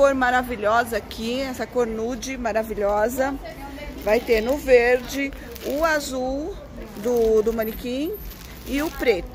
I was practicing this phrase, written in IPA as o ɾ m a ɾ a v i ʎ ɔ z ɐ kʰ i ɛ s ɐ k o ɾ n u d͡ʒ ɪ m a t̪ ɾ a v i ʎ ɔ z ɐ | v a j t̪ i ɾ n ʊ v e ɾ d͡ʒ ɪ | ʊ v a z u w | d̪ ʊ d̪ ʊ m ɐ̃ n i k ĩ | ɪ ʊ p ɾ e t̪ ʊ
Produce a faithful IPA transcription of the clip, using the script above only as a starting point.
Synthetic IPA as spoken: o ɾ m a ɾ a v i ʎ ɔ z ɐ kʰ i ɛ s ɐ k o ɾ n u d͡ʒ ɪ m a ɾ a v i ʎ ɔ z ɐ | v a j t̪ e ɾ n ʊ v e ɾ d͡ʒ ɪ | ʊ a z u w | d̪ ʊ d̪ ʊ m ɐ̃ n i k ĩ | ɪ ʊ p ɾ e t̪ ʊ